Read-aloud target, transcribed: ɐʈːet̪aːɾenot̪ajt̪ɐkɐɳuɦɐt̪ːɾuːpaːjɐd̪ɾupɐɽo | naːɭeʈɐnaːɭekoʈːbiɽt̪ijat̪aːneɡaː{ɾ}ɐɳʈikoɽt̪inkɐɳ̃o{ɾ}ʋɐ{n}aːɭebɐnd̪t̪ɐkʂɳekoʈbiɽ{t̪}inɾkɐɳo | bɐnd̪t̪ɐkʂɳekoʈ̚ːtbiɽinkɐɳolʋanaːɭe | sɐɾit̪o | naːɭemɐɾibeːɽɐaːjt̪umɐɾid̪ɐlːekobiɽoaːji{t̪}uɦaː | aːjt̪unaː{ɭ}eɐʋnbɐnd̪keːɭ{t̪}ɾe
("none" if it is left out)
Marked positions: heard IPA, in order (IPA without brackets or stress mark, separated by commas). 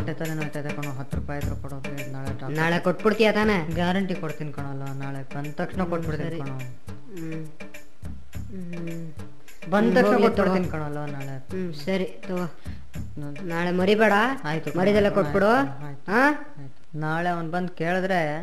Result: ɾ, l, n, t̪, t̪, ɭ, d̪